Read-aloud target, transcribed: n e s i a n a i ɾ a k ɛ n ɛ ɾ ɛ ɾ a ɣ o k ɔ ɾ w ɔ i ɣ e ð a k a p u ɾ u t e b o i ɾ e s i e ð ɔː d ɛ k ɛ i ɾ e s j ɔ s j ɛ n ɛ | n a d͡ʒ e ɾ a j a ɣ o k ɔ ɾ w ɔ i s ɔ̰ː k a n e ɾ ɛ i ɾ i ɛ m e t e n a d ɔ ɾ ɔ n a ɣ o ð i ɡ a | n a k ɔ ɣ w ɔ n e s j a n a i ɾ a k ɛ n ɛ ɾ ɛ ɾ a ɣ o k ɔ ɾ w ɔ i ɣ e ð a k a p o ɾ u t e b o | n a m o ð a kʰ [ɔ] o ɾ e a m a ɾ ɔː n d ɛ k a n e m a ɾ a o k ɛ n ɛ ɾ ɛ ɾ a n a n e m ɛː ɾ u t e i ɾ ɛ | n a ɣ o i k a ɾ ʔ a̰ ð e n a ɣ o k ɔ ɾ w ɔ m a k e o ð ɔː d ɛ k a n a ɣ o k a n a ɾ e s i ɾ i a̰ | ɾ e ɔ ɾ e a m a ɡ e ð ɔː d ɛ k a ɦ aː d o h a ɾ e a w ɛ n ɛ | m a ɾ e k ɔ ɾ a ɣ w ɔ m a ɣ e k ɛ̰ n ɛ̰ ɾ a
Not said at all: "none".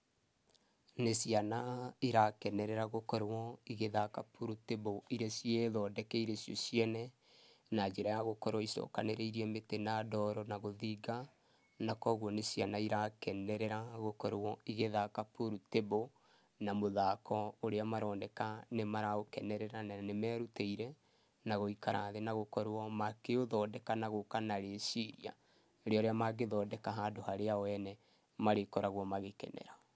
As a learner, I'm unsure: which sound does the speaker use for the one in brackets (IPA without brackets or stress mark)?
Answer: ɔ